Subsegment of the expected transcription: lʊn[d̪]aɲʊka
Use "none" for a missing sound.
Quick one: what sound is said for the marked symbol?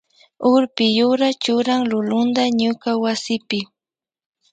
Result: d̪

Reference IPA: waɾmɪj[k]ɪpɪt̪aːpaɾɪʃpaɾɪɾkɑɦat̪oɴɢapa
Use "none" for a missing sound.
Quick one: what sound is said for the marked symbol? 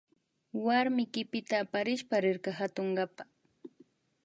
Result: k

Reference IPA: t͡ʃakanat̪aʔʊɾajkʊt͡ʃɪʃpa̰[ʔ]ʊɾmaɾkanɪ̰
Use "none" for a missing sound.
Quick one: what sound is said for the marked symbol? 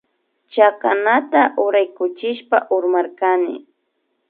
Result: ʔ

